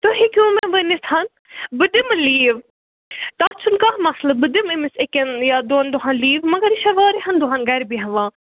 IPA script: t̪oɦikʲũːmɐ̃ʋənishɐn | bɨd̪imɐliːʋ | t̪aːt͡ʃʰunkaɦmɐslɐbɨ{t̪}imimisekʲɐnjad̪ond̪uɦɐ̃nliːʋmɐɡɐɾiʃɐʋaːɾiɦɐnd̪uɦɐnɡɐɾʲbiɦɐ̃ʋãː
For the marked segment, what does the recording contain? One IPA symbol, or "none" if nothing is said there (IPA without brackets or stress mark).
d̪